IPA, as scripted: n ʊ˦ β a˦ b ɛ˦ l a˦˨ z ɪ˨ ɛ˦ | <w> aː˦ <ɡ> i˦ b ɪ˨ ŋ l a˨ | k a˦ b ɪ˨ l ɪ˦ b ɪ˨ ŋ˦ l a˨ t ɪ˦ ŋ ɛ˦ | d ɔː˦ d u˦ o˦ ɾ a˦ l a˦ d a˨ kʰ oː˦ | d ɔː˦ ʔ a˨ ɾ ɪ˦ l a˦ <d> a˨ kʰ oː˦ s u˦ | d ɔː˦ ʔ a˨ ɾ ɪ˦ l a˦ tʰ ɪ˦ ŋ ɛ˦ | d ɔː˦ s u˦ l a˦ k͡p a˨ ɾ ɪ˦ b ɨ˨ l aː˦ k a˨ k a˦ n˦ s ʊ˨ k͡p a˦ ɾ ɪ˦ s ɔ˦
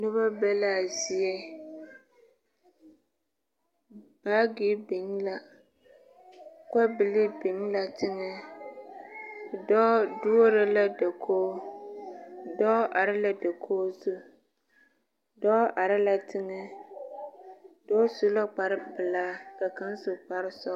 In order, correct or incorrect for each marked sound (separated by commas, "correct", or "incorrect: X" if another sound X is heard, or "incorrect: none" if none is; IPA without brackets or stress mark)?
incorrect: b, correct, correct